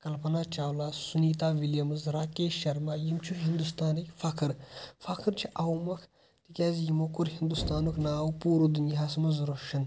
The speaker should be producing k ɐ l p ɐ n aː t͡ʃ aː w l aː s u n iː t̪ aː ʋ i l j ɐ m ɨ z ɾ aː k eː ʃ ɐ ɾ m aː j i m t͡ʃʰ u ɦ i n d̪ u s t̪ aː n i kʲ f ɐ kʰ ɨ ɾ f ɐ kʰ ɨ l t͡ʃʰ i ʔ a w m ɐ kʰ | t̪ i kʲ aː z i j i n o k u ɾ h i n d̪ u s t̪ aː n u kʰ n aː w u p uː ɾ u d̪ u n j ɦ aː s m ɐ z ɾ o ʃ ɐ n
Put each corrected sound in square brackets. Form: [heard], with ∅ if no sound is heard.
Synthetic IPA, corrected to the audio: k ɐ l p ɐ n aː t͡ʃ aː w l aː s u n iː t̪ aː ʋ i l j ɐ m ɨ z ɾ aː k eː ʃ ɐ ɾ m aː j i m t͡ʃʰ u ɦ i n d̪ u s t̪ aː n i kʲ f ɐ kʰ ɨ ɾ f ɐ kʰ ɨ [ɾ] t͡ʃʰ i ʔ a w m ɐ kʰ | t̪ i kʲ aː z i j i [m] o k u ɾ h i n d̪ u s t̪ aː n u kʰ n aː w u p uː ɾ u d̪ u n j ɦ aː s m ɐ z ɾ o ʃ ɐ n